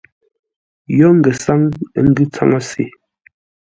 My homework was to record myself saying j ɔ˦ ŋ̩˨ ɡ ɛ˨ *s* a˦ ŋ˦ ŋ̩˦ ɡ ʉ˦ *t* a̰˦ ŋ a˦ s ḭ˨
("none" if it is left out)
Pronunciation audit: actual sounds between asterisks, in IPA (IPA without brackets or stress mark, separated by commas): s, t͡s